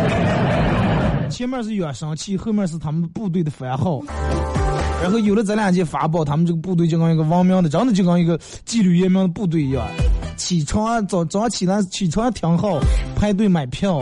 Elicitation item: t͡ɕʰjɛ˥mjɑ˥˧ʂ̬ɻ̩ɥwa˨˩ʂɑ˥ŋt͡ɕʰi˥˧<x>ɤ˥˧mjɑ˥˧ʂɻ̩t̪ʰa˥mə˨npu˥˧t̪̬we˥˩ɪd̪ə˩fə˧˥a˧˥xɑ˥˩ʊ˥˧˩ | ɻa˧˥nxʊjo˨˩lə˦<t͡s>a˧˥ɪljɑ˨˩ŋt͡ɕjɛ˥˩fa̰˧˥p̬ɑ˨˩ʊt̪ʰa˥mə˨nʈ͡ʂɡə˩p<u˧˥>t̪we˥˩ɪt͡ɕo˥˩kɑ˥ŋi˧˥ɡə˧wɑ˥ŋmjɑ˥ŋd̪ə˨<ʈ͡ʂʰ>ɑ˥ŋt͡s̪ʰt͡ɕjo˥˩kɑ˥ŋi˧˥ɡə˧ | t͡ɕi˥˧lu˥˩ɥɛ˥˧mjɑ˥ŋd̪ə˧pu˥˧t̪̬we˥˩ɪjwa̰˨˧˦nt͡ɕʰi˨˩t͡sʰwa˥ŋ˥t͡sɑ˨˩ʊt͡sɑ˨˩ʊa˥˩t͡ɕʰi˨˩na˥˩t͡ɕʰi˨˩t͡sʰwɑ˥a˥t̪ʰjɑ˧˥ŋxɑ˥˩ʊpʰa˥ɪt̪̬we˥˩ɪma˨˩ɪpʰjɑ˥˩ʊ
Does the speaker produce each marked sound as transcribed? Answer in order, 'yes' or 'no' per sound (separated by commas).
yes, yes, no, no